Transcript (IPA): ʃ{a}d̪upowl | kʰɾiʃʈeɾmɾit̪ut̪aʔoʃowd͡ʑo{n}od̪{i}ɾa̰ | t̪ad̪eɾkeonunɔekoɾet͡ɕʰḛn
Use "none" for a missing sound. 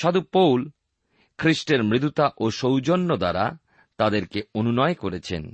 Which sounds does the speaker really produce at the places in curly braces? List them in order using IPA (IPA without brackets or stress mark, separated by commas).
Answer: a, nː, a